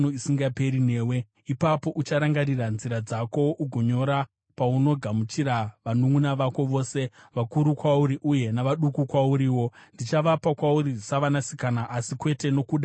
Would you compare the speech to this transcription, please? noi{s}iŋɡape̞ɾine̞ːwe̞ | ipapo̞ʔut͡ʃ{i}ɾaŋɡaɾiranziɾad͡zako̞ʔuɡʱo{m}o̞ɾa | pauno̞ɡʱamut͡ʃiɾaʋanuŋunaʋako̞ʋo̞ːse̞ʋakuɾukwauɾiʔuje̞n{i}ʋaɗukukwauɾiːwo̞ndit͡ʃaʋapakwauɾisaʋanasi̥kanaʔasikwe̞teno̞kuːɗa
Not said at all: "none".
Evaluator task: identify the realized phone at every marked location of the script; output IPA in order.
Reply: s, a, ɲ, a

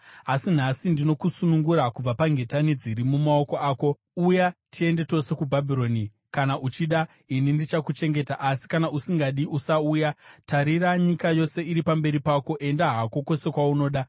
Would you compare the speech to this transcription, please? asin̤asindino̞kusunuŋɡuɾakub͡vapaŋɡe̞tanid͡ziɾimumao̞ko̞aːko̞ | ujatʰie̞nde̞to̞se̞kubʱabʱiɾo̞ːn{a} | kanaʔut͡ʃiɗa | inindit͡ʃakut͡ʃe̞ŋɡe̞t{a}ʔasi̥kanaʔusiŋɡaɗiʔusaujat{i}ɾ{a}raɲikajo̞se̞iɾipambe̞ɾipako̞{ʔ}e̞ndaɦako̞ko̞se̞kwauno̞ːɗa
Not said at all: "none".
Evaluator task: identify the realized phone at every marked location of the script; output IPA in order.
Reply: i, a, a, i, ʔ

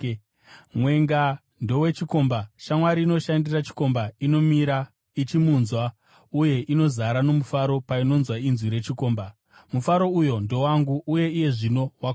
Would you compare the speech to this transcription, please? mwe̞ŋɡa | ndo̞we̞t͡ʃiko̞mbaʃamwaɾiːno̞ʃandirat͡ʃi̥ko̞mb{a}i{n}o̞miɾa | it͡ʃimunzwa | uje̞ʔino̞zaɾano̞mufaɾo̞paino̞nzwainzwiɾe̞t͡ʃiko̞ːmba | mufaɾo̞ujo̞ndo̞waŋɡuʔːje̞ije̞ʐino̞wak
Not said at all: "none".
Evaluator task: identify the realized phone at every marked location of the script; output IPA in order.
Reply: a, n

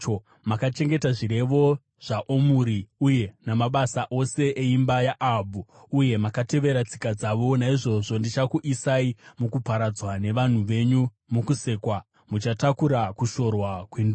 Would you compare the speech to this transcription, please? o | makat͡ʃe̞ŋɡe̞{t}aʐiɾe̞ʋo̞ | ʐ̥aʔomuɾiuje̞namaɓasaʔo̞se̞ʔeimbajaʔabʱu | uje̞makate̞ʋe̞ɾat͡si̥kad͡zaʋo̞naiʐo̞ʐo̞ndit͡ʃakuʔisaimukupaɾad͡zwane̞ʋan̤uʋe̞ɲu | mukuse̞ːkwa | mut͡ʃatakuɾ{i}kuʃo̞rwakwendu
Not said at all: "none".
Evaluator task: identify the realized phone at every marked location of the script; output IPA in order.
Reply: t, a

